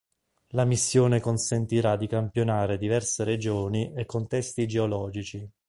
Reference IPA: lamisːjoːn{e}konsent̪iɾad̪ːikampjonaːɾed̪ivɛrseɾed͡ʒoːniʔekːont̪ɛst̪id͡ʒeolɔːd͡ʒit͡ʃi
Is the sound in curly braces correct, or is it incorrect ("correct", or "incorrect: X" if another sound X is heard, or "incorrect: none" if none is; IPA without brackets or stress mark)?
correct